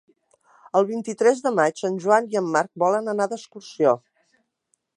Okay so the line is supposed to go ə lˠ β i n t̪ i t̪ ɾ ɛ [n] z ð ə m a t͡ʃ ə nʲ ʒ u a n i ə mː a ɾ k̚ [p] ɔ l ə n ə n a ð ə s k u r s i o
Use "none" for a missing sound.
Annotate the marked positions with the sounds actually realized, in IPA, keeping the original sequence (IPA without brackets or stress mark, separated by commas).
none, b